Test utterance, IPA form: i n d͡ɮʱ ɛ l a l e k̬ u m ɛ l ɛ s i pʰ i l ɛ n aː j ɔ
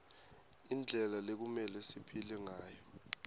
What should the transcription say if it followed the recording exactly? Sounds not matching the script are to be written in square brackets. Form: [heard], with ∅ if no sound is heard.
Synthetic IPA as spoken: i n d͡ɮʱ ɛ l a l e k̬ u m ɛ l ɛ s i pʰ i l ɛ [ŋ] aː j ɔ